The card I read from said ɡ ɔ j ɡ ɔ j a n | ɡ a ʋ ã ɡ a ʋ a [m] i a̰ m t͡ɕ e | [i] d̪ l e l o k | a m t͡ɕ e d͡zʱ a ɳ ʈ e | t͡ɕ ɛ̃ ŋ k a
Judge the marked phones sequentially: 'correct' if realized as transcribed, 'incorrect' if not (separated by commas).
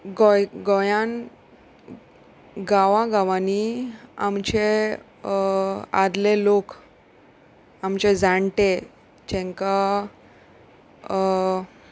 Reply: incorrect, incorrect